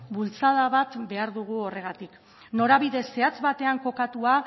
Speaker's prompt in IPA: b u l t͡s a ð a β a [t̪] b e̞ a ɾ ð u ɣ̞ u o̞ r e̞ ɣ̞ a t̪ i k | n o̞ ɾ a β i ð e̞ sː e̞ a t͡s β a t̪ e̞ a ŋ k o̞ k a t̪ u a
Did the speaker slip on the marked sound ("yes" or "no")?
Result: no